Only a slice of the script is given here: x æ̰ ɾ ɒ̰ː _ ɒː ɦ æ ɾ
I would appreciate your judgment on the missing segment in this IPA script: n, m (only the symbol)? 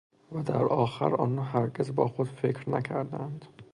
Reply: n